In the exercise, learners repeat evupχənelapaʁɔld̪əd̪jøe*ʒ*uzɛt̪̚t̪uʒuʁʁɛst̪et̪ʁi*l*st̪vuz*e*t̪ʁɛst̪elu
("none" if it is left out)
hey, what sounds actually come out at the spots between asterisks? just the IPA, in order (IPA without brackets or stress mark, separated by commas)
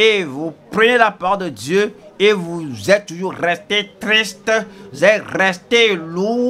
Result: v, none, ɛ